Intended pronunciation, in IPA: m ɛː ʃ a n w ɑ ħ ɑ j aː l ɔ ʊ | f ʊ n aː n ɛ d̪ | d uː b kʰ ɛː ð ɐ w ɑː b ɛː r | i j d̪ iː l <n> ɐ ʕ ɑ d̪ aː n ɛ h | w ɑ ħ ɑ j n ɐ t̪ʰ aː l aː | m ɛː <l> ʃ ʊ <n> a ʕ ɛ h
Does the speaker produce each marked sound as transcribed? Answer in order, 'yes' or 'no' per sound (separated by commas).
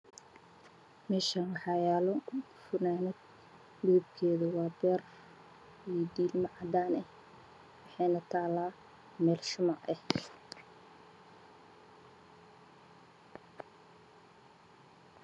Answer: no, yes, no